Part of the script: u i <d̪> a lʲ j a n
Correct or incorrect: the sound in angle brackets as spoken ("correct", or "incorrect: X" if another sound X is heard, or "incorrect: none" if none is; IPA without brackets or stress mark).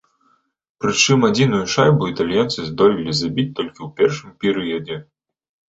incorrect: t̪